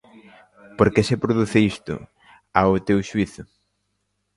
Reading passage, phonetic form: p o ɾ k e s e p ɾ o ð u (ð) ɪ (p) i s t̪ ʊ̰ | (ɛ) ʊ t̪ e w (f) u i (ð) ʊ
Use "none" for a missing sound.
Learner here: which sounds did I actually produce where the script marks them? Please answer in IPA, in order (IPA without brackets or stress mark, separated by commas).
θ, none, a, ʃ, θ